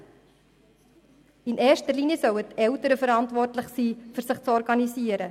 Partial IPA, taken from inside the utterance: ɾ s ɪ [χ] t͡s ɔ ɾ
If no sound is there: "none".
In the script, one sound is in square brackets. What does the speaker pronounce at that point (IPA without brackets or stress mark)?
χ